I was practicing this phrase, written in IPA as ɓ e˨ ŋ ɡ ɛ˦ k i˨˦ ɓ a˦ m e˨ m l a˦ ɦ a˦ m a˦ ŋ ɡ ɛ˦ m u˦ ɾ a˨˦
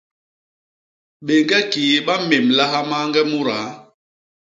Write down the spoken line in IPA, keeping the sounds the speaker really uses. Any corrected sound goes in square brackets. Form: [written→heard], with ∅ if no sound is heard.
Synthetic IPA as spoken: ɓ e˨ ŋ ɡ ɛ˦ k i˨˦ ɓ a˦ m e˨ m l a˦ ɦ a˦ m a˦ ŋ ɡ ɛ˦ m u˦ ɾ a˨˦